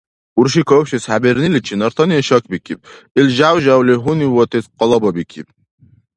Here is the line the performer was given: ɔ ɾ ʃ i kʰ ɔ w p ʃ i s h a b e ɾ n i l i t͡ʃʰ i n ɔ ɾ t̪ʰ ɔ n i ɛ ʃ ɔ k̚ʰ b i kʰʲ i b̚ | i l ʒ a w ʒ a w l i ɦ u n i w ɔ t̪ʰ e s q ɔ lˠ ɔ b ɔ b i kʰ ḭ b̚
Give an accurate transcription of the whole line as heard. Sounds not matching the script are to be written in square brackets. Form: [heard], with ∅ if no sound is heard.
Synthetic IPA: [u] ɾ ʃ i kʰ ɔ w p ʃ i s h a b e ɾ n i l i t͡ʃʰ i n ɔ ɾ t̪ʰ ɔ n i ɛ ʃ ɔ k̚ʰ b i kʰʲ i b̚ | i l ʒ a w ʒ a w l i ɦ u n i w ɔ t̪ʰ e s q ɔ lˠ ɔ b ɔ b i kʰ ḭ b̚